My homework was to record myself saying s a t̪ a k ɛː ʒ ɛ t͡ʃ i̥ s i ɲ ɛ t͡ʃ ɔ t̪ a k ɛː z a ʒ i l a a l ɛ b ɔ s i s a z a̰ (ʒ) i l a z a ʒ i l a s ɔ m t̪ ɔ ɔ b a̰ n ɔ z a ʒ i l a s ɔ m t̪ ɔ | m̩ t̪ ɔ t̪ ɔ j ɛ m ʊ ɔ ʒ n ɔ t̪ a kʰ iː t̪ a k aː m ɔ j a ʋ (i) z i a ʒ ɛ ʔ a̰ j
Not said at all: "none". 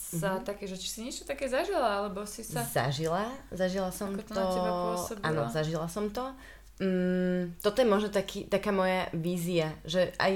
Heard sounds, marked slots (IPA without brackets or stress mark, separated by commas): ʒ, iː